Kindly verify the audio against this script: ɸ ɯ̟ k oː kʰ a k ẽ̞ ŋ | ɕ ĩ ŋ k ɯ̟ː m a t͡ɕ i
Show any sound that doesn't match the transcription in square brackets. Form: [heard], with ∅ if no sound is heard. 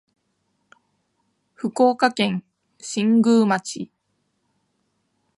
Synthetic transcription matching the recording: ɸ ɯ̟ k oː [k] a k ẽ̞ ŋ | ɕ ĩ ŋ [ɡ] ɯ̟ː m a t͡ɕ i